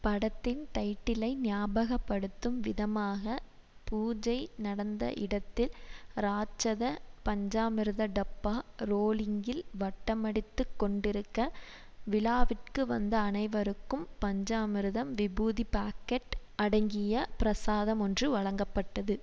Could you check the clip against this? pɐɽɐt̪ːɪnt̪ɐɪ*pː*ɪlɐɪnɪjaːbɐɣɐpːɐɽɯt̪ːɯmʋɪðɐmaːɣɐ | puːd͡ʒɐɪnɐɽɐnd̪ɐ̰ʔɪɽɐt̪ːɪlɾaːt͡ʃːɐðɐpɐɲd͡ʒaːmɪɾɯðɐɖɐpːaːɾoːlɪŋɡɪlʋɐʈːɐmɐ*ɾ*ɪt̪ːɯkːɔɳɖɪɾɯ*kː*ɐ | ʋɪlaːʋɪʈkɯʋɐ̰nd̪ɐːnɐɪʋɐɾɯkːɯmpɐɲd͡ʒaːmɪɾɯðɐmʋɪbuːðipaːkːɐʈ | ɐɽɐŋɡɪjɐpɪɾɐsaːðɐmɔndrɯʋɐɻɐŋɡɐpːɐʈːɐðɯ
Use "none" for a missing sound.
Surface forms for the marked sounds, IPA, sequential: ʈː, ɽ, kː

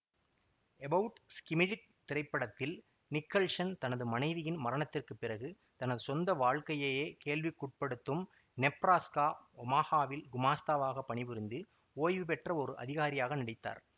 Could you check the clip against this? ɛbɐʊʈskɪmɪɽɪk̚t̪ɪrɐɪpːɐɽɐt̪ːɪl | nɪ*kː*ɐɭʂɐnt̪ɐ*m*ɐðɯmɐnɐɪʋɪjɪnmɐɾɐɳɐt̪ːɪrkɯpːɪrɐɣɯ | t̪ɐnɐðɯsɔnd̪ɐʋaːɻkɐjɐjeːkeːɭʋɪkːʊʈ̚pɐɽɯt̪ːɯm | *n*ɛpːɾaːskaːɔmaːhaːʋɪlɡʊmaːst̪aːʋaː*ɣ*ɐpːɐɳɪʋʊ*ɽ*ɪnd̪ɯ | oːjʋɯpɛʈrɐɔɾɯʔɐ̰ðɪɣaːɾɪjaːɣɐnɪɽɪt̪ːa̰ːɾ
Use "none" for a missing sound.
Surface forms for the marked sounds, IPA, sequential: kː, n, n, ɣ, ɾ

